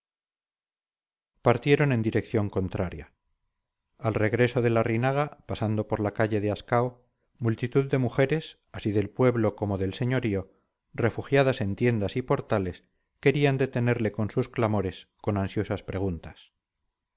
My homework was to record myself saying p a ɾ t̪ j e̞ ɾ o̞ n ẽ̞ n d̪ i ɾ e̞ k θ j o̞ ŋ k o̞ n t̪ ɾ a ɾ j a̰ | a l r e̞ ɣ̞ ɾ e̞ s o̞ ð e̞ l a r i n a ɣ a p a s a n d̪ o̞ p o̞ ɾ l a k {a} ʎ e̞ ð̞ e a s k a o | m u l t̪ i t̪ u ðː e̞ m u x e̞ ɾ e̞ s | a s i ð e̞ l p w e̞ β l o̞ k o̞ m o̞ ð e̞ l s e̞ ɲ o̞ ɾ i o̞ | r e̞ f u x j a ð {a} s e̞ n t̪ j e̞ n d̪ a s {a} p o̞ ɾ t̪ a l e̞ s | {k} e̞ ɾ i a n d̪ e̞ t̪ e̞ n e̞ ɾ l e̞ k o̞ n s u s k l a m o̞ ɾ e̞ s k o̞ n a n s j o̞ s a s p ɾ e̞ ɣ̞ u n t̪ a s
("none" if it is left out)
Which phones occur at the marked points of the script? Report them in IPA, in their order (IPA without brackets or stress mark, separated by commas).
a, a, i, k